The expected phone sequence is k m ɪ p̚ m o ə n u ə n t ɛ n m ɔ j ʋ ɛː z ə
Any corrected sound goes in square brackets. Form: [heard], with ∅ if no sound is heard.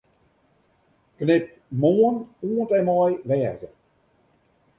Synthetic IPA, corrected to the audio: k [n] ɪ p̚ m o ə n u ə n t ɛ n m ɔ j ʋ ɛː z ə